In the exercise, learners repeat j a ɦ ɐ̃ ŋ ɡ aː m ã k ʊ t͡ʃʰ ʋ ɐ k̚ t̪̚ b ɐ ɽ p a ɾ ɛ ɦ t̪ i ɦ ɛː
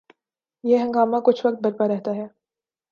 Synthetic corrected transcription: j e ɦ ɐ̃ ŋ ɡ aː m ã k ʊ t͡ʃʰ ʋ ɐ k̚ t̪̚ b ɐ ɾ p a ɾ ɛ ɦ t̪ a ɦ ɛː